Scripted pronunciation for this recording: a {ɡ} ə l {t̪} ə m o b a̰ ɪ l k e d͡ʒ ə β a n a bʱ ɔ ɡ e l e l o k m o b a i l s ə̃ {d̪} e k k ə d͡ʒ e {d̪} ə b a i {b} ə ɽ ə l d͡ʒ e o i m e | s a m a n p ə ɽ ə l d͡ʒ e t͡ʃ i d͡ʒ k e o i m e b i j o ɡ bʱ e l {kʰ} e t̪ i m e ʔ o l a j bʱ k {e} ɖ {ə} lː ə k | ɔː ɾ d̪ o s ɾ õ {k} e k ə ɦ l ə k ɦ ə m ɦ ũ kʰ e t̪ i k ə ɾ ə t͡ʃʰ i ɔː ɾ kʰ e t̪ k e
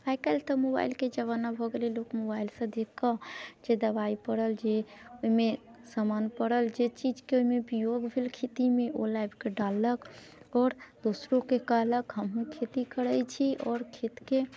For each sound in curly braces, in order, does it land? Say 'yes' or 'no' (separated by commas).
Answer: no, yes, yes, yes, no, yes, yes, no, yes